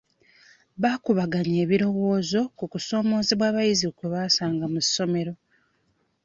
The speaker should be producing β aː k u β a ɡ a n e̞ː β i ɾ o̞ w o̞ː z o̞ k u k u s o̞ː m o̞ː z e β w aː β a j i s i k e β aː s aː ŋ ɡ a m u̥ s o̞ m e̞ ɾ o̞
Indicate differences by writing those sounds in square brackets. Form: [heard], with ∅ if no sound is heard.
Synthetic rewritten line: β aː k u β a ɡ a [ɲ] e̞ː β i ɾ o̞ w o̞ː z o̞ k u k u s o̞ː m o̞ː z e β w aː β a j i [z] i k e β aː s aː ŋ ɡ a m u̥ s o̞ m e̞ ɾ o̞